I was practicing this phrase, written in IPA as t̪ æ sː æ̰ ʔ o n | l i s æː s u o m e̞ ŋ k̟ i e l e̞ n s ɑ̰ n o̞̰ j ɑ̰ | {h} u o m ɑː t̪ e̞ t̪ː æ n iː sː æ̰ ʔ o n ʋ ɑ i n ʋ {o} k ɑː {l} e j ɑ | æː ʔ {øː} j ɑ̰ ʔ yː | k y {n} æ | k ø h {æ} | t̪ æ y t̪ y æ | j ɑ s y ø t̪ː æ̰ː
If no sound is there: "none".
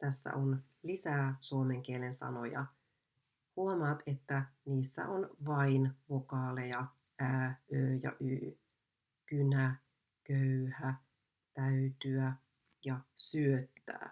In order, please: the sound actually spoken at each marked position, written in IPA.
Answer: h, o, l, øː, n, æ

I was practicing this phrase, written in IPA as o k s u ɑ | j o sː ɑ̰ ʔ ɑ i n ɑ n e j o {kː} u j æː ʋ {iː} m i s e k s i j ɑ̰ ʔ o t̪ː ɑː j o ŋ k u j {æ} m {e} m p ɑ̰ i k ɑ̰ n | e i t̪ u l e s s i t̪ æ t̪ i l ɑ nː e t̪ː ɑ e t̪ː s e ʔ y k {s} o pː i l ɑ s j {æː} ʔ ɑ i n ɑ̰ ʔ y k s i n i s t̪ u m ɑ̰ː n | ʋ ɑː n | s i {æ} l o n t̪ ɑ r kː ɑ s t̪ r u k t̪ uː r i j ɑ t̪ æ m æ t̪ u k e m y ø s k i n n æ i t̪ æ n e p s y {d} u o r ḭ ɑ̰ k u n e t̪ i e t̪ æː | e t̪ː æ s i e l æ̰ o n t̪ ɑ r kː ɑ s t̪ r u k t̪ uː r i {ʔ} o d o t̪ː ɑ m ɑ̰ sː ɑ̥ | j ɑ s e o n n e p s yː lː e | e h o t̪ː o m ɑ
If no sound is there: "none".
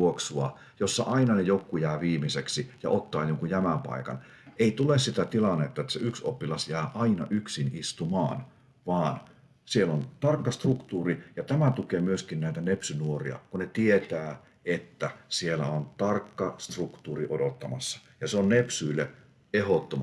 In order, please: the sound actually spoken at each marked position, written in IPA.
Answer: kː, iː, æ, æ, s, æː, e, n, ʔ

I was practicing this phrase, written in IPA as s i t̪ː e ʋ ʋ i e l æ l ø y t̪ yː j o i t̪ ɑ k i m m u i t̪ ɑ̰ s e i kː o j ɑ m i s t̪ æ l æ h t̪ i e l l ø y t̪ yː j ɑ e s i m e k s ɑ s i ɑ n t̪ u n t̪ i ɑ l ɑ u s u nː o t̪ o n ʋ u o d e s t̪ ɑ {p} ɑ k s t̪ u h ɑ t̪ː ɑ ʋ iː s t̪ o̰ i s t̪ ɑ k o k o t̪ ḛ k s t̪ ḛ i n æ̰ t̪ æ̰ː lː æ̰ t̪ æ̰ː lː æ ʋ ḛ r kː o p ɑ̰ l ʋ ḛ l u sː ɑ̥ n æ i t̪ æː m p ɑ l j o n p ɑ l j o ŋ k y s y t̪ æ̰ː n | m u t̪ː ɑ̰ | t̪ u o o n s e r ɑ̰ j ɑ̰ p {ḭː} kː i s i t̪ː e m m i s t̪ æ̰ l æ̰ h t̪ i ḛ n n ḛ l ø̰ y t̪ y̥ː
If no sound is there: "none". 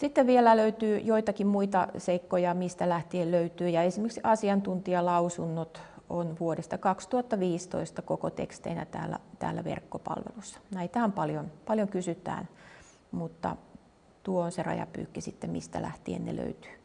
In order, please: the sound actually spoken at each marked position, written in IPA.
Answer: k, y̰ː

